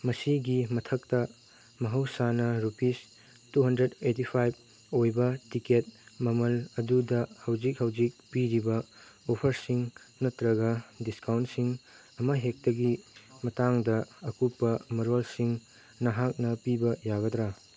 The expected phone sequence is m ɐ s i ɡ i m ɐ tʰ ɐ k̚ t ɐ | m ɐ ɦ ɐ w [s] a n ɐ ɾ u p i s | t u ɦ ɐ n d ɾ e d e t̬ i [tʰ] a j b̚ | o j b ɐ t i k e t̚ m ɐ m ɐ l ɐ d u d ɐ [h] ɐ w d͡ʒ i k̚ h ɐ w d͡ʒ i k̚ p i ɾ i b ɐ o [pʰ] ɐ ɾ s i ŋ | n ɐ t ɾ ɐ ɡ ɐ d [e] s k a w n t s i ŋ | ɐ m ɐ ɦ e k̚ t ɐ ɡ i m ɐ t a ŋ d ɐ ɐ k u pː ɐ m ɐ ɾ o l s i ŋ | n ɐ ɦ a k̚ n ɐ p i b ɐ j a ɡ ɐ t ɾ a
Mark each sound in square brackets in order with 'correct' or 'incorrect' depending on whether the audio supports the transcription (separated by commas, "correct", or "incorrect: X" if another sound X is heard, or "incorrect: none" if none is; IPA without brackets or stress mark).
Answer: correct, incorrect: pʰ, correct, correct, incorrect: i